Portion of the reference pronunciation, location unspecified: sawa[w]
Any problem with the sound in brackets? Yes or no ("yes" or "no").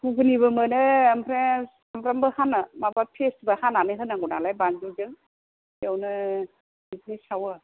yes